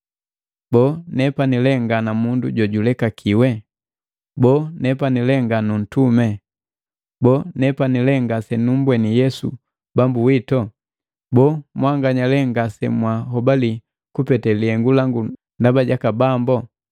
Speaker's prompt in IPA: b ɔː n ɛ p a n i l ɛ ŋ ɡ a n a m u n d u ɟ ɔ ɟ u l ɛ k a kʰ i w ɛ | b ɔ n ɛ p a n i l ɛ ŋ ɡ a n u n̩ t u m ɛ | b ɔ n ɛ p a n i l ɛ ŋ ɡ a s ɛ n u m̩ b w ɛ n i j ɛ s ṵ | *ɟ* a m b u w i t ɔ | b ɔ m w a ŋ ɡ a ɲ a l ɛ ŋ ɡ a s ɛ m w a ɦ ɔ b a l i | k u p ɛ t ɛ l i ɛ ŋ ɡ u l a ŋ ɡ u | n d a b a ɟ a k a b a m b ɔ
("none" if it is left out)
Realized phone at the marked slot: b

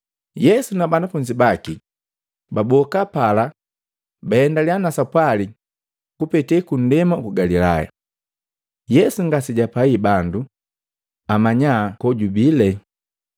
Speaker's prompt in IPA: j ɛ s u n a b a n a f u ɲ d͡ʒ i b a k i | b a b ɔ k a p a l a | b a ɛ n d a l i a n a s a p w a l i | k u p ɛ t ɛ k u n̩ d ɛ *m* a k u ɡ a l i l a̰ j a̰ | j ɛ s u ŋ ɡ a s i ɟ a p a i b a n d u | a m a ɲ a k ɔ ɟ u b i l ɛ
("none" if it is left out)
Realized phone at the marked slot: m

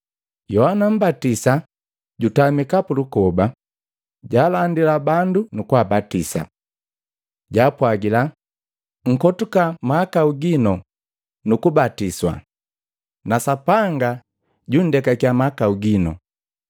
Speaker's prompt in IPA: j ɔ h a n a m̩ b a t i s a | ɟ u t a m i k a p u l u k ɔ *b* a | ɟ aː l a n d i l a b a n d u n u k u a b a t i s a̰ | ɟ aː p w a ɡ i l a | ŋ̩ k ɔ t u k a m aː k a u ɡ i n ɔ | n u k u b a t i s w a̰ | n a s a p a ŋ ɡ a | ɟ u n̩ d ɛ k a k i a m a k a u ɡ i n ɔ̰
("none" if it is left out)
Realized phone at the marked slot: b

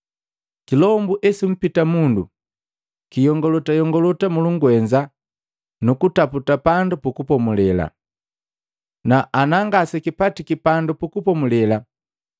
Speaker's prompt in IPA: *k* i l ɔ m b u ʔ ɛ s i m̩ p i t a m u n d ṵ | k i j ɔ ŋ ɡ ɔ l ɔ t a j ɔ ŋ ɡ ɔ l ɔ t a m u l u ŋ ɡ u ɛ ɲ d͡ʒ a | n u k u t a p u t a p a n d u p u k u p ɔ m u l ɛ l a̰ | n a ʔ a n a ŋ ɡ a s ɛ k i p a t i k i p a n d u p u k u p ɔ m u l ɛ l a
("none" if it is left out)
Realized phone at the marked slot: k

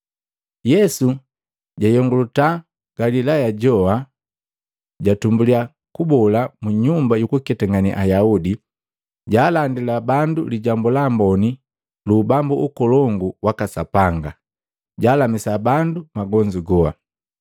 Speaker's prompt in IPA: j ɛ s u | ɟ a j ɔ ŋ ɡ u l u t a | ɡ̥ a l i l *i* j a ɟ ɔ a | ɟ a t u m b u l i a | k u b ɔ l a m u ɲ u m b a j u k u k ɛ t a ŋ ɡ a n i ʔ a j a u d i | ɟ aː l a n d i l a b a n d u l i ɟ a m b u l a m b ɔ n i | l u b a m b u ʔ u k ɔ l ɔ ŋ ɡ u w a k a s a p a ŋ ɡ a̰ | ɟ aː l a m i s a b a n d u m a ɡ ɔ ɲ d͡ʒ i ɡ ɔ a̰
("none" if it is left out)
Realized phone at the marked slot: a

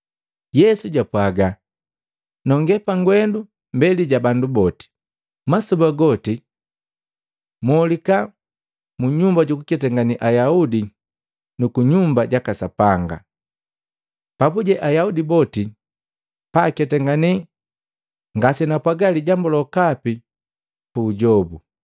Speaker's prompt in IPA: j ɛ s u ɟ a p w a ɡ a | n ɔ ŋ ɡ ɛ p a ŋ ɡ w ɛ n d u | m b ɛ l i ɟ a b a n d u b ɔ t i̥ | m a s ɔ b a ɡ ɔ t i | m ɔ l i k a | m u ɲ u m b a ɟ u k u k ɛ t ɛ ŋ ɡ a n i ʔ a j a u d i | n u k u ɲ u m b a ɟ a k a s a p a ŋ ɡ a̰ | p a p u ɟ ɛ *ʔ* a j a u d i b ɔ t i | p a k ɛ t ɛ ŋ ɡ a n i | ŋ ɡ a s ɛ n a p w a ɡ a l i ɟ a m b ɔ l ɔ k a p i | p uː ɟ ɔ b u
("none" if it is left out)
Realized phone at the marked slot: ʔ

